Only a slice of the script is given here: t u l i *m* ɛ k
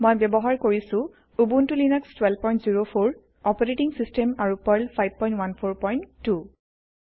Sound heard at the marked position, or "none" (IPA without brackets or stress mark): n